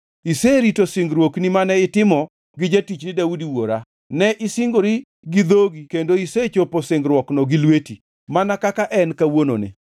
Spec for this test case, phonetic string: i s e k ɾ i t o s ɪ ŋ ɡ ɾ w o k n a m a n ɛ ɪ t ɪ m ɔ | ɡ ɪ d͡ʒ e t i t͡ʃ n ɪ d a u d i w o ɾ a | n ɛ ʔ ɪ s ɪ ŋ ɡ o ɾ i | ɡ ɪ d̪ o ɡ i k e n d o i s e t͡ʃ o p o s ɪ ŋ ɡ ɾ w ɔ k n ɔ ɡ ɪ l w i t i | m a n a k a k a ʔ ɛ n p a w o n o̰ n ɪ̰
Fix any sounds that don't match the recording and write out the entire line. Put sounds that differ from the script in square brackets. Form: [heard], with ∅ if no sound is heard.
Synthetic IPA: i s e [∅] ɾ i t o s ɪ ŋ ɡ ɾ w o k n [i] m a n ɛ ɪ t ɪ m ɔ | ɡ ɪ d͡ʒ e t i t͡ʃ n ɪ d a u d i w o ɾ a | n ɛ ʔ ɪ s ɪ ŋ ɡ o ɾ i | ɡ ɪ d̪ o ɡ i k e n d o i s e t͡ʃ o p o s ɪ ŋ ɡ ɾ w ɔ k n ɔ ɡ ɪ l w [e] t i | m a n a k a k a ʔ ɛ n [k] a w o n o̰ n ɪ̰